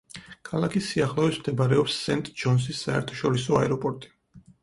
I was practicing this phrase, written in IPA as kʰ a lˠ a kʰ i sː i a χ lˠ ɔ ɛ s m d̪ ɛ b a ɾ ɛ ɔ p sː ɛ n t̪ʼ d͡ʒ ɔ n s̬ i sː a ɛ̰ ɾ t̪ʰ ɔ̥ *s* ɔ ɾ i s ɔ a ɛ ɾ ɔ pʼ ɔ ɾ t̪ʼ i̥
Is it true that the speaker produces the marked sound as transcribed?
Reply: no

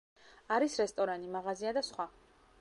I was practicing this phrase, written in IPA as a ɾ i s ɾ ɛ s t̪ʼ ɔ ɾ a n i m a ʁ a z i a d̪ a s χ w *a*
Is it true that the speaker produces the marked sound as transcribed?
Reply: yes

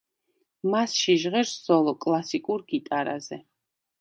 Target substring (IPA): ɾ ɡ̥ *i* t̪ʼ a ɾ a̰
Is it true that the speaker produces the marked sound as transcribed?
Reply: yes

